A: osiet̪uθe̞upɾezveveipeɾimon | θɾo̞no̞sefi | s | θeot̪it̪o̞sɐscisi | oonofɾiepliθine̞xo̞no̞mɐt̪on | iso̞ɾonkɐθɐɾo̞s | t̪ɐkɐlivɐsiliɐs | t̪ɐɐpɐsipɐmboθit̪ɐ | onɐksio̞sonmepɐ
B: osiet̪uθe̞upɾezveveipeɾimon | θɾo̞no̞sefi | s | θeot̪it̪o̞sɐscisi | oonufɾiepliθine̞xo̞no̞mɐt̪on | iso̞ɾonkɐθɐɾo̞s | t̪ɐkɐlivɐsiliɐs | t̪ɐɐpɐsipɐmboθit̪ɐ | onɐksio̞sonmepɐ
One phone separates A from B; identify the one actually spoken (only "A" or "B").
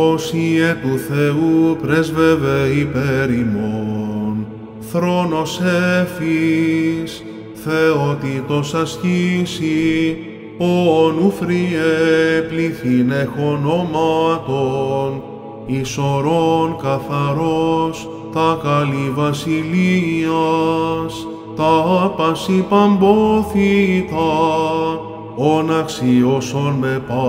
B